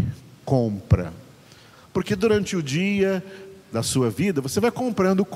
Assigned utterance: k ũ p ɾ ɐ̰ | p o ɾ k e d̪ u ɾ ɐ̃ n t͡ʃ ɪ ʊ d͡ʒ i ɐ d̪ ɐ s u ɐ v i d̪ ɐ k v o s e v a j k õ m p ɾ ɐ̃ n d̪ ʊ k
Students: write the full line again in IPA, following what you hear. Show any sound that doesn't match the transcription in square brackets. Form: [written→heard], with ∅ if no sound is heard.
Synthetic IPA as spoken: k [ũ→õ] p ɾ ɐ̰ | p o ɾ k e d̪ u ɾ ɐ̃ n t͡ʃ ɪ ʊ d͡ʒ i ɐ d̪ ɐ s u ɐ v i d̪ ɐ [k→∅] v o s e v a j k õ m p ɾ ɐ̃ n d̪ ʊ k